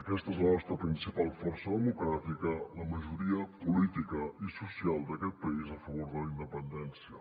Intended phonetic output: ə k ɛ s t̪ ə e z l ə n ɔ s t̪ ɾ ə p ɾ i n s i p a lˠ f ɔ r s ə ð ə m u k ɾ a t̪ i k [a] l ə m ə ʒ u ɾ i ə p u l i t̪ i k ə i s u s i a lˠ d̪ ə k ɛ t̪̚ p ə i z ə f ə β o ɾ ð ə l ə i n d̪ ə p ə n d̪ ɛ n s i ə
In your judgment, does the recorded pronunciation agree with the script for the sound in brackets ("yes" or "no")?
no